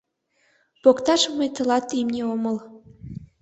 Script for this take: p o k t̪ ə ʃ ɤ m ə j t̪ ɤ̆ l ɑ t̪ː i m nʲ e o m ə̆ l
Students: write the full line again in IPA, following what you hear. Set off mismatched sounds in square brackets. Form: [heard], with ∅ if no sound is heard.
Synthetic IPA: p o k t̪ [ɑ] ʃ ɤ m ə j t̪ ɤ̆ l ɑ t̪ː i m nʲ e o m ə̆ l